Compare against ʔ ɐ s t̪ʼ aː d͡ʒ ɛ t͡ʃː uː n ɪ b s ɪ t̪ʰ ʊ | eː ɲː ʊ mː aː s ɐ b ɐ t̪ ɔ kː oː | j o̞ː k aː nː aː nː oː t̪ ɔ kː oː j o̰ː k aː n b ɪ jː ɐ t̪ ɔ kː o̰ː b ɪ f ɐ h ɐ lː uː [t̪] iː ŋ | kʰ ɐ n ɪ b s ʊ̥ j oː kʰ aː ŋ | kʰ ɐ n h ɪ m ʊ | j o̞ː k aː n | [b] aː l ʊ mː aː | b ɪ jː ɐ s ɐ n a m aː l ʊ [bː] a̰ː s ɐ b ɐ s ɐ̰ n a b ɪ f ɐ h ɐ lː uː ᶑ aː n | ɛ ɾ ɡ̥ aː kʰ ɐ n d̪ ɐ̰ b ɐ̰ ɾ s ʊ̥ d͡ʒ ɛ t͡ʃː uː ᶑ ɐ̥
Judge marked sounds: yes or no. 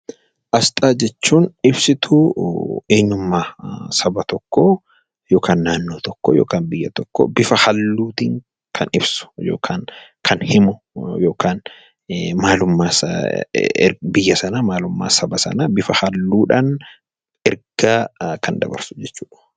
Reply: yes, no, no

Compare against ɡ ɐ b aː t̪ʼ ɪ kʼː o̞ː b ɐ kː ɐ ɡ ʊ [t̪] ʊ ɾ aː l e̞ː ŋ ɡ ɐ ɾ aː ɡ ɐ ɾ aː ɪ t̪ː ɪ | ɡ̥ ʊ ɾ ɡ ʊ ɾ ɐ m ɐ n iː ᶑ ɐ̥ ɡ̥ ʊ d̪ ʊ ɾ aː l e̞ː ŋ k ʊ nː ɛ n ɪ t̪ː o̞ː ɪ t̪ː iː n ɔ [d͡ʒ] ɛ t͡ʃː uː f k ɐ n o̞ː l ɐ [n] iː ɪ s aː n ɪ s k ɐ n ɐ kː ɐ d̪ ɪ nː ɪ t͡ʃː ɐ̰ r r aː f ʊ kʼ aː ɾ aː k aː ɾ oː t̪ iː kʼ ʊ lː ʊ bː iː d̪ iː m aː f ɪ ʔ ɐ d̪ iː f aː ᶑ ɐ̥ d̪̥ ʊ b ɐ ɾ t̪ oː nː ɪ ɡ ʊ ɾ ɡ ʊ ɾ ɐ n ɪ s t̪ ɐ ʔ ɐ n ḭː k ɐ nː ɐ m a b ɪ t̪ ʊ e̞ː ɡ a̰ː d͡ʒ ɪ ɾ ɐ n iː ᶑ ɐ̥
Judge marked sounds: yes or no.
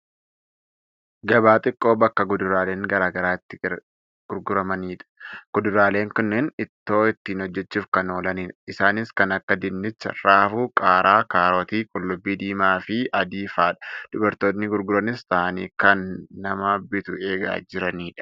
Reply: no, no, yes

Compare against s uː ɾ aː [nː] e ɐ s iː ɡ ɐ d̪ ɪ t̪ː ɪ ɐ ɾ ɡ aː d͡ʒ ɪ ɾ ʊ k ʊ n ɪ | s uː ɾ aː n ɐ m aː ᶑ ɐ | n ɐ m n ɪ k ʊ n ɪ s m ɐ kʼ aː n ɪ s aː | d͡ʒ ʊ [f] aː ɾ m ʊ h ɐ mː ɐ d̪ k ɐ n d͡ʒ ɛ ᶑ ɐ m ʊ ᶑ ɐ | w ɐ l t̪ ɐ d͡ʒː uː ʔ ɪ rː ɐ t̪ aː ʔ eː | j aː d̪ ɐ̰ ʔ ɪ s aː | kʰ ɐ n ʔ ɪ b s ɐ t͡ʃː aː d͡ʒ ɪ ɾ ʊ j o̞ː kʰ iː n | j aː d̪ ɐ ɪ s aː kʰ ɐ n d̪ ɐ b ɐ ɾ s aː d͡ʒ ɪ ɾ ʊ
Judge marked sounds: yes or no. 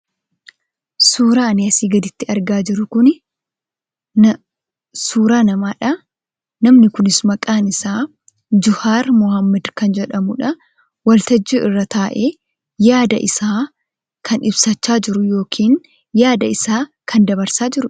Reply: no, no

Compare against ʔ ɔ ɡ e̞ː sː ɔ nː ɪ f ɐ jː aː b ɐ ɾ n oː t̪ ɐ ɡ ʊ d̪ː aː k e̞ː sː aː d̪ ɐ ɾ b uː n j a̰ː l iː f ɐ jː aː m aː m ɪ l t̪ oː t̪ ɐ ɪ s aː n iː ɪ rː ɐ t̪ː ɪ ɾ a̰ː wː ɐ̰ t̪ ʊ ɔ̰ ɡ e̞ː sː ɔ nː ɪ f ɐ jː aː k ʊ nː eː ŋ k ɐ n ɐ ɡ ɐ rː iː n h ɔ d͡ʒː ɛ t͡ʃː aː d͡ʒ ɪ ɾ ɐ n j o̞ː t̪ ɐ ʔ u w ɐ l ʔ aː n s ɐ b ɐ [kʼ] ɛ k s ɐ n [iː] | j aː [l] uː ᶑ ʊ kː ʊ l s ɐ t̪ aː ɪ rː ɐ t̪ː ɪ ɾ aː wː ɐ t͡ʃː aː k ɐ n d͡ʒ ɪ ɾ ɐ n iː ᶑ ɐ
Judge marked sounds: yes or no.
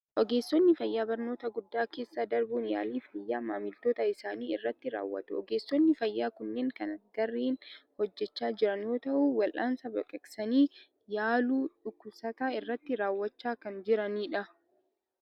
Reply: yes, yes, yes

